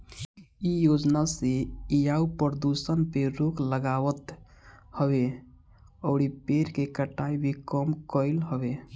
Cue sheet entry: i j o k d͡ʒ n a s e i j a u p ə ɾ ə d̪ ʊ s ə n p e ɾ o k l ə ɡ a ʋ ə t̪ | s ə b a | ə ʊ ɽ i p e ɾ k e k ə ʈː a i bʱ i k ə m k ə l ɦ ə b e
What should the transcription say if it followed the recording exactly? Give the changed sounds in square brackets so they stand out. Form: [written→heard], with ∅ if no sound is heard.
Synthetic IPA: i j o [k→∅] d͡ʒ n a s e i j a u p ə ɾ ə d̪ [ʊ→u] s ə n p e ɾ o k l ə ɡ a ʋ ə t̪ | [s→h] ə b [a→e] | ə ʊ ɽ i p e ɾ k e k ə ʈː a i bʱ i k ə m k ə l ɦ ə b e